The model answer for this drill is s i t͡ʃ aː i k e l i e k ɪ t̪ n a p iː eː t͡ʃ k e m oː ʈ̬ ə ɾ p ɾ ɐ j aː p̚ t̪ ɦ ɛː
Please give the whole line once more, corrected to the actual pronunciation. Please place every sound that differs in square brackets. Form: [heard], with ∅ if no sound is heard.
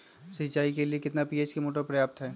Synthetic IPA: s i t͡ʃ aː i k e l i e k ɪ t̪ n a p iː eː t͡ʃ k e m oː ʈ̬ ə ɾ p ɾ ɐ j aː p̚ t̪ ɦ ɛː

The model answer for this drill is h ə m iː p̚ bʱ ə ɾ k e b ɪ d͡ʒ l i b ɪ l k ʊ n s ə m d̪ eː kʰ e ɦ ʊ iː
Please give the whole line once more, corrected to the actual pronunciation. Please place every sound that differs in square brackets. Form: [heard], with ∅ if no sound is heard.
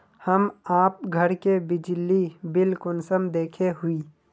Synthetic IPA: h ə m [aː] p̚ [ɡʱ] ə ɾ k e b ɪ d͡ʒ l i b ɪ l k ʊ n s ə m d̪ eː kʰ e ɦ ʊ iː

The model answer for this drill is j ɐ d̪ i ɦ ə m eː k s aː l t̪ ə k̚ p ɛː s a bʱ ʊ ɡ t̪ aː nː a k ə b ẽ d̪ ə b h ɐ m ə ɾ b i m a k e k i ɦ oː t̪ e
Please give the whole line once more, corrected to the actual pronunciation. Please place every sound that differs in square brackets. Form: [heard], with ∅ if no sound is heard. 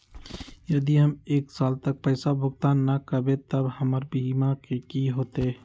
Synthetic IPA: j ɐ d̪ i ɦ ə m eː k s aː l t̪ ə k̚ p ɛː s a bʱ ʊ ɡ t̪ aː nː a k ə b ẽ [t̪] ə b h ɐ m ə ɾ b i m a k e k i ɦ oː t̪ e

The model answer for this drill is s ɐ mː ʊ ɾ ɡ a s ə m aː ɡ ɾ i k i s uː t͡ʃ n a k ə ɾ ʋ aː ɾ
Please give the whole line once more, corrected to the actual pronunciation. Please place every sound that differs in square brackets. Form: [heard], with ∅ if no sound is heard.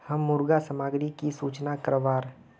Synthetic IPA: [h] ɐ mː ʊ ɾ ɡ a s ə m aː ɡ ɾ i k i s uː t͡ʃ n a k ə ɾ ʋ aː ɾ

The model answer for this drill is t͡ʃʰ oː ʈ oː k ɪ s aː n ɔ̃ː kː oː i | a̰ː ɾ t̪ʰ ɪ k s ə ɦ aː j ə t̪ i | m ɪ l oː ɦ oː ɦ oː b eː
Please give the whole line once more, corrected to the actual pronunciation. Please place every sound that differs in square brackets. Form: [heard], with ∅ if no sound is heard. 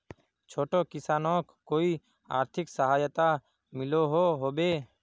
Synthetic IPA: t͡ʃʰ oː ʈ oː k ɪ s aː n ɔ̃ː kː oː i | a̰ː ɾ t̪ʰ ɪ k s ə ɦ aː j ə t̪ [a] | m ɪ l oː ɦ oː ɦ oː b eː

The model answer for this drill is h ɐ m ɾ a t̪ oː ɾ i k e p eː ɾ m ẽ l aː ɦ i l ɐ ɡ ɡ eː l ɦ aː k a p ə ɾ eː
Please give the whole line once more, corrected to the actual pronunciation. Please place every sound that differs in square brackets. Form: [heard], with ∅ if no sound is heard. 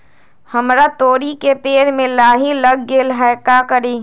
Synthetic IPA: h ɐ m ɾ a t̪ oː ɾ i k e p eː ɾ m ẽ l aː ɦ i l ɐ ɡ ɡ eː l ɦ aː k a [k] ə ɾ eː

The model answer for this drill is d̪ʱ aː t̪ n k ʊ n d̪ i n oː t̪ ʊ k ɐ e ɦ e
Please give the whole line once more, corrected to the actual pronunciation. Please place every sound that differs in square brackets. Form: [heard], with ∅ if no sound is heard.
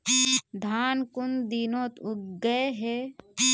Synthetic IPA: d̪ʱ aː [∅] n k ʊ n d̪ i n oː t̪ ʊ [ɡ] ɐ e ɦ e

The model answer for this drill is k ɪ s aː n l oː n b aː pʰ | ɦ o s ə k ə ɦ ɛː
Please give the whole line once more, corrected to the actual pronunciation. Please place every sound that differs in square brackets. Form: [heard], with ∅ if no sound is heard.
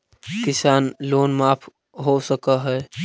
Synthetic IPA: k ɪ s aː n l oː n [m] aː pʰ | ɦ o s ə k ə ɦ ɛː

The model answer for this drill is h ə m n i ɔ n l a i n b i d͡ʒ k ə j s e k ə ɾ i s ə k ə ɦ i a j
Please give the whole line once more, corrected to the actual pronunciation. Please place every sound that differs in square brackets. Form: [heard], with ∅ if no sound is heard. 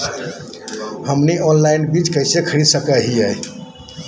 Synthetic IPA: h ə m n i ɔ n l a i n b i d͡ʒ k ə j s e [kʰ] ə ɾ i s ə k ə ɦ i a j

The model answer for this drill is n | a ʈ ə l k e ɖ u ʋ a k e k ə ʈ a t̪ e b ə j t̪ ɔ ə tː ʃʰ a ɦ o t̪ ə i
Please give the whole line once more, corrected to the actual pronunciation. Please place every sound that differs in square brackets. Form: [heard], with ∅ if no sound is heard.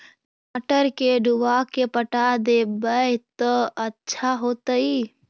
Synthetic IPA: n | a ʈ ə [ɾ] k e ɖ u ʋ a k e [p] ə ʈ a [d̪] e b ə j t̪ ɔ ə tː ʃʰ a ɦ o t̪ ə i

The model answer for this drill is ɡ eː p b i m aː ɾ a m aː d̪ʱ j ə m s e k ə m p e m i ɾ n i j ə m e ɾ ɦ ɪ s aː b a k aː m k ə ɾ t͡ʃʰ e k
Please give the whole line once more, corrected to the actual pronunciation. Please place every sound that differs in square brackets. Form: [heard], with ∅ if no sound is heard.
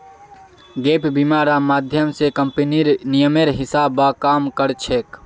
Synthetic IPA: ɡ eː p b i m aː ɾ a m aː d̪ʱ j ə m s e k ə m p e [n] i ɾ n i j ə m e ɾ ɦ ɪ s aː b a k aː m k ə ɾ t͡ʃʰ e k

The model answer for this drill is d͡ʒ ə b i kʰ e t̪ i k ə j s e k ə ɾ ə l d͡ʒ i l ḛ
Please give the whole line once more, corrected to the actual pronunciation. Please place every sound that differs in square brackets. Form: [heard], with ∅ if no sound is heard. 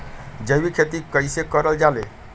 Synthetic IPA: d͡ʒ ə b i kʰ e t̪ i k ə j s e k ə ɾ ə l d͡ʒ [a] l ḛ

